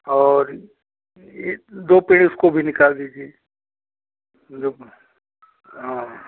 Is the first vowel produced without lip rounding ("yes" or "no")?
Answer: no